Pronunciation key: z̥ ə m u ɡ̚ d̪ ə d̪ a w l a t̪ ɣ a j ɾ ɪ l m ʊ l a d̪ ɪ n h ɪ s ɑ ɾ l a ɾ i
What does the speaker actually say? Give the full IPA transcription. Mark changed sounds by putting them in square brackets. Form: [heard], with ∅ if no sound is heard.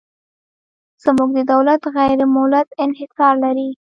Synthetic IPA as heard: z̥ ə m u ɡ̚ d̪ ə d̪ a w l a t̪ ɣ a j ɾ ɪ [∅] m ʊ l a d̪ ɪ n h ɪ s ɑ ɾ l a ɾ i